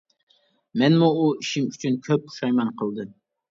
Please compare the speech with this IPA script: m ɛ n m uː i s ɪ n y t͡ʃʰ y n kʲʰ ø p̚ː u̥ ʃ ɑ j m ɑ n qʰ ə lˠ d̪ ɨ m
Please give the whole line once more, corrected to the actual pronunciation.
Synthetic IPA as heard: m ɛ n m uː i ʃ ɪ m y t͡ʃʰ y n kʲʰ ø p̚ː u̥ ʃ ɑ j m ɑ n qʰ ə lˠ d̪ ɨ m